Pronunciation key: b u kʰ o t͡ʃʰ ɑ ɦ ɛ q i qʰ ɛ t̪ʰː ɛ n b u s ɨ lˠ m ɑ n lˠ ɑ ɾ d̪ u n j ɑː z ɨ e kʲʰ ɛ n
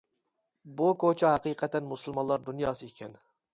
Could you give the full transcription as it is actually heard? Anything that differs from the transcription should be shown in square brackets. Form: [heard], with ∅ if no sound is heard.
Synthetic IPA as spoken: b u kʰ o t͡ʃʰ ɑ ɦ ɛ q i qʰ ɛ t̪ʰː ɛ n [m] u s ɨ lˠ m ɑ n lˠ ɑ ɾ d̪ u n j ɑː [s] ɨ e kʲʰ ɛ n